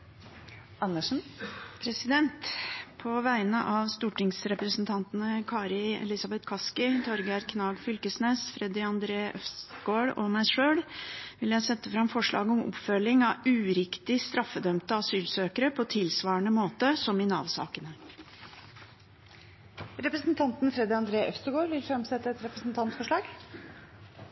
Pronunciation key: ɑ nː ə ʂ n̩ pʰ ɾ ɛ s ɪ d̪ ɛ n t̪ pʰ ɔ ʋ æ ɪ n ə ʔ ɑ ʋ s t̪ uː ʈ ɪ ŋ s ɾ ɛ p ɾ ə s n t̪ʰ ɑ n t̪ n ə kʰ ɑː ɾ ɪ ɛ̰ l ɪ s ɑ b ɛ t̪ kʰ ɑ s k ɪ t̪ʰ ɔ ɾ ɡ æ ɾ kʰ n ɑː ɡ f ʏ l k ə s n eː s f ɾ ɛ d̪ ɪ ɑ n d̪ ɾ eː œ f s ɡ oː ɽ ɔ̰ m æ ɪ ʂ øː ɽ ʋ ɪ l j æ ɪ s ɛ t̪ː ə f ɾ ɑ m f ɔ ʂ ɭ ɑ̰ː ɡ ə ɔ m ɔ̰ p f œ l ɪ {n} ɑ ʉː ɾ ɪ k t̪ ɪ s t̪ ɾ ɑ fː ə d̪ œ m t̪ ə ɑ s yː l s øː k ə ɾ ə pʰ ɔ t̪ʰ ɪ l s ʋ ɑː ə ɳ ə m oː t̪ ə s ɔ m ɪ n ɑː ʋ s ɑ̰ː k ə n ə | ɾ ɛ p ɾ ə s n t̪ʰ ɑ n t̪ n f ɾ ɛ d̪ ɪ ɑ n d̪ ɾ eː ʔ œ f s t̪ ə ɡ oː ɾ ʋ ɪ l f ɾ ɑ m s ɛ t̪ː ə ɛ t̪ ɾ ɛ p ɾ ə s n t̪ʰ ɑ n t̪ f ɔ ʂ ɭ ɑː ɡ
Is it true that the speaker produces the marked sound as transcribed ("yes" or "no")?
no